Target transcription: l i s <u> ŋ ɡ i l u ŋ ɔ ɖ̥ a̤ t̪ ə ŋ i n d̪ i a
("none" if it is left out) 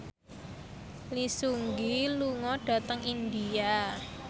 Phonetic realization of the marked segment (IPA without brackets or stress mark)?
u